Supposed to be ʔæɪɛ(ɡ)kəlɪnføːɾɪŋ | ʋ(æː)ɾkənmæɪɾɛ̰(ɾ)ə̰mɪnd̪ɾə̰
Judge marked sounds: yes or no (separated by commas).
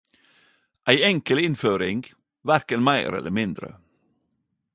no, no, no